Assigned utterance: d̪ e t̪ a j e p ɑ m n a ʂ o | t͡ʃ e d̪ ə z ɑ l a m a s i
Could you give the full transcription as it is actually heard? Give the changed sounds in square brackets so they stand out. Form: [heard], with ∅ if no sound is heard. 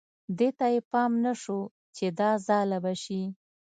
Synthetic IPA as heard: d̪ e t̪ a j e p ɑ m n a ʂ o | t͡ʃ e d̪ [ɑ] z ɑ l a [b] a [ʃ] i